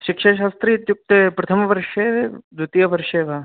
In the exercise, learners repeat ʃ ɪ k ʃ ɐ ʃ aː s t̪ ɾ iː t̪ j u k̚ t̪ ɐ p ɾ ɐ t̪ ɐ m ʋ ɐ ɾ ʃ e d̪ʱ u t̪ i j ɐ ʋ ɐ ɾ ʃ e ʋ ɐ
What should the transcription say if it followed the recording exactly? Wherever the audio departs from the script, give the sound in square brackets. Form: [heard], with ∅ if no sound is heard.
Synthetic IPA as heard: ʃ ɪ k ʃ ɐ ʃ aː s t̪ ɾ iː t̪ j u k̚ t̪ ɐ p ɾ ɐ [t̪ʰ] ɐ m ʋ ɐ ɾ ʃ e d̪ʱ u t̪ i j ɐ ʋ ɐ ɾ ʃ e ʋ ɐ